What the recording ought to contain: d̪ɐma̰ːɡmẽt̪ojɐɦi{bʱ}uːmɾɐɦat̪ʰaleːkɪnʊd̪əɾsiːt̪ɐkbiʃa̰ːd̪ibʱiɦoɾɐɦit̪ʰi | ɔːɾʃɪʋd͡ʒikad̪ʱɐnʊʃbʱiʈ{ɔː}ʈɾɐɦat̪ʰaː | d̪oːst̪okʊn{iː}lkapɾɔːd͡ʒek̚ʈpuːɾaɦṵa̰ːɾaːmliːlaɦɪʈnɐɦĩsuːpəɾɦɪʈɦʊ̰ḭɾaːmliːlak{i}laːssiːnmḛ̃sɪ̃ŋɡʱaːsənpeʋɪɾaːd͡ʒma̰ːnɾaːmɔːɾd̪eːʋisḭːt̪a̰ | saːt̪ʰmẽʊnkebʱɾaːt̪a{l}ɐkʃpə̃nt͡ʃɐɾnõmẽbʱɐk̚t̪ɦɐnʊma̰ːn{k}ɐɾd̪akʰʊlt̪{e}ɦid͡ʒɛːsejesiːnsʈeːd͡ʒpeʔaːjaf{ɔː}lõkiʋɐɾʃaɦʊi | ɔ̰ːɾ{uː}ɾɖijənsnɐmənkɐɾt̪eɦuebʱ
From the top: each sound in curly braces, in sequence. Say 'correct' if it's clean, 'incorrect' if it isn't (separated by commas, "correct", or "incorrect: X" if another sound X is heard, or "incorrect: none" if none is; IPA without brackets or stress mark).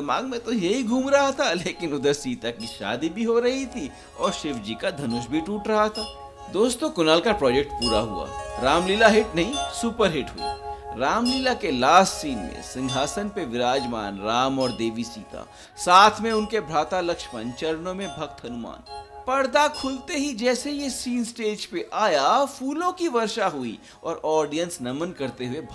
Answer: incorrect: ɡʱ, incorrect: uː, incorrect: aː, incorrect: e, correct, incorrect: p, correct, incorrect: uː, incorrect: ɔː